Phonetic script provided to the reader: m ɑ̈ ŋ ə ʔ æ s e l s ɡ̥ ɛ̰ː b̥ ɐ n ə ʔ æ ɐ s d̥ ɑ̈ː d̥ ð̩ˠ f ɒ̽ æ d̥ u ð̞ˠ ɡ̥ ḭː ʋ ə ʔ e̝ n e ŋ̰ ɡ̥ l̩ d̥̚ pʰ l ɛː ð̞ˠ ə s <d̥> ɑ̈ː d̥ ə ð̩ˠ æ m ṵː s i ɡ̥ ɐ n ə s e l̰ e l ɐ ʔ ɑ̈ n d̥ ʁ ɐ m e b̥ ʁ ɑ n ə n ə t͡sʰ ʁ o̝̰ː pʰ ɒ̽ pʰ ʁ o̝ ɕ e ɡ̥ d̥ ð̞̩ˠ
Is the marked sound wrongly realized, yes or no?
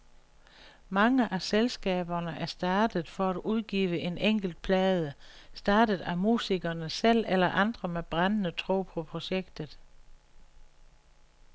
no